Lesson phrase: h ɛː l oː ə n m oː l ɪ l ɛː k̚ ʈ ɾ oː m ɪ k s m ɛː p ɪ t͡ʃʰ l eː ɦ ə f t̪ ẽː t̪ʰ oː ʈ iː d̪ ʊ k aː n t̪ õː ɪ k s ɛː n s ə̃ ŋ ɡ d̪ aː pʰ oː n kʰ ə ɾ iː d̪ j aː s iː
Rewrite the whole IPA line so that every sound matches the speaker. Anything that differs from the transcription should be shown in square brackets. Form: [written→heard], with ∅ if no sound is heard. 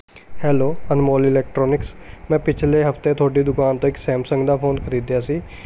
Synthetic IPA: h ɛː l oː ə n m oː l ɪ l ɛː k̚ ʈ ɾ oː [m→n] ɪ k s m [ɛː→ɛ̃ː] p ɪ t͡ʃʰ l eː ɦ ə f t̪ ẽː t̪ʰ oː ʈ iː d̪ ʊ k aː n t̪ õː ɪ k s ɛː [n→m] s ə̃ ŋ ɡ d̪ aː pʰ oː n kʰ ə ɾ iː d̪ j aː s iː